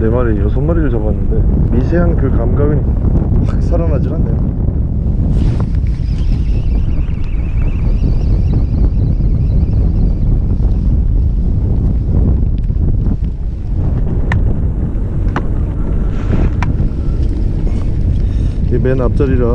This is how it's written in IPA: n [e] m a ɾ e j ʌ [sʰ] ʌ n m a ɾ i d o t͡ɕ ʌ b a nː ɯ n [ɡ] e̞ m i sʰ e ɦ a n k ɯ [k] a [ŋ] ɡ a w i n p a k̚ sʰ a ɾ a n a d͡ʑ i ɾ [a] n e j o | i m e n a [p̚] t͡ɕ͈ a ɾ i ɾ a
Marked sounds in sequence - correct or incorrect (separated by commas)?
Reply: correct, correct, incorrect, correct, incorrect, correct, correct